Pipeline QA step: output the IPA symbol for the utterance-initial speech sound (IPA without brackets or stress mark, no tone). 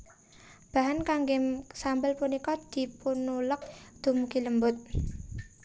b̥